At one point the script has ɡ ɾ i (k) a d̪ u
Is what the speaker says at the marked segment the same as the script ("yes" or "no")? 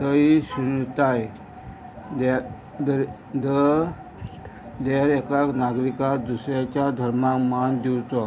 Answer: yes